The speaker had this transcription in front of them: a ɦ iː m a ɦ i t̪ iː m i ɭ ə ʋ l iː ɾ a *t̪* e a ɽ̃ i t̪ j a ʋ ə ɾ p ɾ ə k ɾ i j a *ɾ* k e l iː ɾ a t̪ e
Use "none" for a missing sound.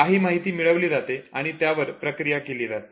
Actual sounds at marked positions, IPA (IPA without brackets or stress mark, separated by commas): t̪, none